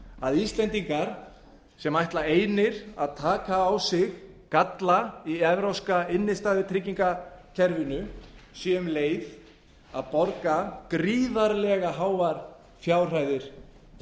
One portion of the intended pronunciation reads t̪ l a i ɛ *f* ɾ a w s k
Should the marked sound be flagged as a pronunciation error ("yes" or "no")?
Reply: yes